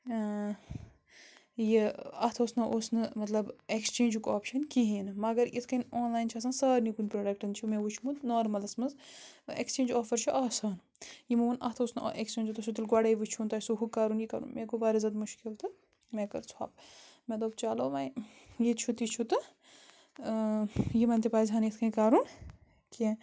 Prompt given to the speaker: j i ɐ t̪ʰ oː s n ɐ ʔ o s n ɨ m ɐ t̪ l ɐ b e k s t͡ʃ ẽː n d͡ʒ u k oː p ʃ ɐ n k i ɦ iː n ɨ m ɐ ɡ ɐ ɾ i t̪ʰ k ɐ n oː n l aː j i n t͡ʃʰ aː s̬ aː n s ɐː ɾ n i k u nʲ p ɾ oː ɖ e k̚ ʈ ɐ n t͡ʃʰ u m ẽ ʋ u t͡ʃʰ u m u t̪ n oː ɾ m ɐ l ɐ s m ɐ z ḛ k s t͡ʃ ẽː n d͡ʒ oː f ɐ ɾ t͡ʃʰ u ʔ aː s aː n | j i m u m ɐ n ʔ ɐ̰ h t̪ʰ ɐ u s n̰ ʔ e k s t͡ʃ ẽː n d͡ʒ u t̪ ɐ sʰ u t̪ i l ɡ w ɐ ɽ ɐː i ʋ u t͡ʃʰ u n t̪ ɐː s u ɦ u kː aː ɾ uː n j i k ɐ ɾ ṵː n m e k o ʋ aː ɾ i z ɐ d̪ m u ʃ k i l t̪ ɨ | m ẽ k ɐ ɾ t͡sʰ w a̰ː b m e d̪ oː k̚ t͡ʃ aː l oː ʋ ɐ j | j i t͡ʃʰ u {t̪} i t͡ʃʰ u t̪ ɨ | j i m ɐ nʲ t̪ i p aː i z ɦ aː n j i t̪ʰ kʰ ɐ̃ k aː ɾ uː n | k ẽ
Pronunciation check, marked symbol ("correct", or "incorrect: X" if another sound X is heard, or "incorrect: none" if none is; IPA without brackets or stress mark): correct